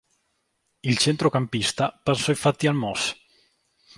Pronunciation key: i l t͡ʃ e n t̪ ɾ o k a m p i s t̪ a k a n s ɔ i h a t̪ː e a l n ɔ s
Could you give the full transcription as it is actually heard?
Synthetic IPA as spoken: i l t͡ʃ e n t̪ ɾ o k a m p i s t̪ a p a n s ɔ i f a t̪ː i a l m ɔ s

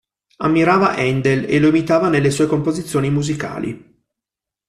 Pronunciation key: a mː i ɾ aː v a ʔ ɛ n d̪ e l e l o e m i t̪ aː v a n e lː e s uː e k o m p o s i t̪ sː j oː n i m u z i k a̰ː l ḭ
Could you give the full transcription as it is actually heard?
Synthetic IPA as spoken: a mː i ɾ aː v a ʔ ɛ n d̪ e l e l o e m i t̪ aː v a n e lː e s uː e k o m p o z i t̪ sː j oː n i m u z i k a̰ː l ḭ

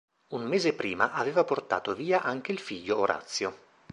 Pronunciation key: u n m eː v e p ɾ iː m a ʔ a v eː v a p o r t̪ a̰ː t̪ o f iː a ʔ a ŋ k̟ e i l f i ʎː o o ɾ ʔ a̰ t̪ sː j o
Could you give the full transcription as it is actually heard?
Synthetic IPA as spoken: u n m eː z e p ɾ iː m a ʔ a v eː v a p o r t̪ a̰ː t̪ o v iː a ʔ a ŋ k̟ e i l f i ʎː o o ɾ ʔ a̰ t̪ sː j o

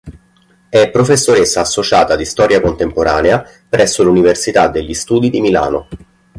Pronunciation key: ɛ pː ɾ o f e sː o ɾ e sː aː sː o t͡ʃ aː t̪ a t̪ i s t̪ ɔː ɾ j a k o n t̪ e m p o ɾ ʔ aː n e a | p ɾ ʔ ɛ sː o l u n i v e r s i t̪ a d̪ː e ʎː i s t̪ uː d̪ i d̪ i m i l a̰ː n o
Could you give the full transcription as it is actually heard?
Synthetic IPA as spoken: ɛ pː ɾ o f e sː o ɾ e sː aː sː o t͡ʃ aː t̪ a d̪ i s t̪ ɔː ɾ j a k o n t̪ e m p o ɾ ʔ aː n e a | p ɾ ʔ ɛ sː o l u n i v e r s i t̪ a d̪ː e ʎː i s t̪ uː d̪ i d̪ i m i l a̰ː n o

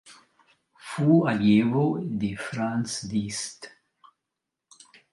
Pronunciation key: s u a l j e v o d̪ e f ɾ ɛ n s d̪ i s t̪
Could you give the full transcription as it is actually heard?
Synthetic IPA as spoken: f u a l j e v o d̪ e f ɾ a n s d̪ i s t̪

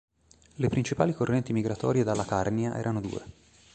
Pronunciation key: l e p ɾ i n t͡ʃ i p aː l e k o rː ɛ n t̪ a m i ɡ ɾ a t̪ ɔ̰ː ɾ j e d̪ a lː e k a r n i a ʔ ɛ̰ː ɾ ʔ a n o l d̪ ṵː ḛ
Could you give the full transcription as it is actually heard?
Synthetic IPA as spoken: l e p ɾ i n t͡ʃ i p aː l i k o rː ɛ n t̪ i m i ɡ ɾ a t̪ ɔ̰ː ɾ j e d̪ a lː a k a r n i a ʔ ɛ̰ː ɾ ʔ a n o d̪ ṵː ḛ

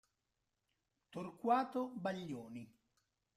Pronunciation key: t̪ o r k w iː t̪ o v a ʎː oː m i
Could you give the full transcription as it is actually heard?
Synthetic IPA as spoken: t̪ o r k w aː t̪ o b a ʎː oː n i

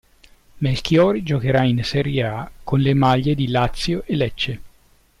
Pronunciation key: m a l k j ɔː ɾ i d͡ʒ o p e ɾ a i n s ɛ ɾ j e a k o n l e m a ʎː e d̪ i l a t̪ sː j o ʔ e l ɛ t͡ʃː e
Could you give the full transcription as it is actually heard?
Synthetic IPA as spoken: m e l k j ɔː ɾ i d͡ʒ o k e ɾ a i n s ɛ ɾ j e a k o n l e m a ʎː e d̪ i l a t̪ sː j o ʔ e l ɛ t͡ʃː e

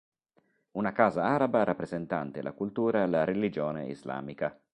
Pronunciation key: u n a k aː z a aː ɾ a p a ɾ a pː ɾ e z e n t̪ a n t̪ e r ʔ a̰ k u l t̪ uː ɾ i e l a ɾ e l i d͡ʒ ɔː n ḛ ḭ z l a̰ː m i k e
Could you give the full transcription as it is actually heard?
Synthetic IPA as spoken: u n a k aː z a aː ɾ a b a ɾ a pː ɾ e z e n t̪ a n t̪ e l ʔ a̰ k u l t̪ uː ɾ a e l a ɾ e l i d͡ʒ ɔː n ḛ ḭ z l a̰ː m i k a

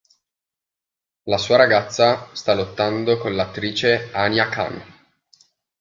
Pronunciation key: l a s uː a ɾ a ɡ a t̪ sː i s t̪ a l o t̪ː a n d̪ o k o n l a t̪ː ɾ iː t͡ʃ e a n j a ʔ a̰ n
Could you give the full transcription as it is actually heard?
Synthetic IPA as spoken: l a s uː a ɾ a ɡ a t̪ sː a s t̪ a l o t̪ː a n d̪ o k o n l a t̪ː ɾ iː t͡ʃ e a n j a k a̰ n

